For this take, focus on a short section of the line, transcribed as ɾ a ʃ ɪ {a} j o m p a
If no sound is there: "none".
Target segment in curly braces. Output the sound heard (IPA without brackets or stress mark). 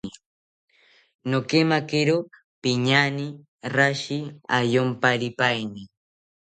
a